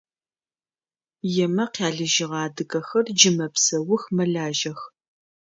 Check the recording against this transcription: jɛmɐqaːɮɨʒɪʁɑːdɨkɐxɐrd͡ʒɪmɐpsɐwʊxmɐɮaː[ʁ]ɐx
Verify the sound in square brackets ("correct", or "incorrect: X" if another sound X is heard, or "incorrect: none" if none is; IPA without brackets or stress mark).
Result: incorrect: ʒ